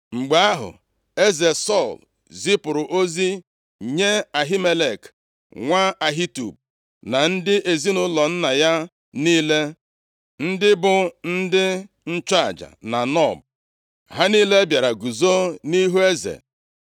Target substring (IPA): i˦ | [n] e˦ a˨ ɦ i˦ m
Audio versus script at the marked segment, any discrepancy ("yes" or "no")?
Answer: yes